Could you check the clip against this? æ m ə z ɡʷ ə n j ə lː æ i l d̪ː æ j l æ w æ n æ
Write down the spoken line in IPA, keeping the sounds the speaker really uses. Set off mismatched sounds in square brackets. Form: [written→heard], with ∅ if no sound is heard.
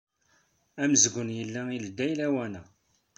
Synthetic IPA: æ m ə z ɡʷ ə n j ə lː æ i l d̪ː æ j l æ w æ n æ